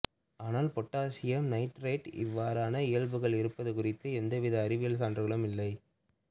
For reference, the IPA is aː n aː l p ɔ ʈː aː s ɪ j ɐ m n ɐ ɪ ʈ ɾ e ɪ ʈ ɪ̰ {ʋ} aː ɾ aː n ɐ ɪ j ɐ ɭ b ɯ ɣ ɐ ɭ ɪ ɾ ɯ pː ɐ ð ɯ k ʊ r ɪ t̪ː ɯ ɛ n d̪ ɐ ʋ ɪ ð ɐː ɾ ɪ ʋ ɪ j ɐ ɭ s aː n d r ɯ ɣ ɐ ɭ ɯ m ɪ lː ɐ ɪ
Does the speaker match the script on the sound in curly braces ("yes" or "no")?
no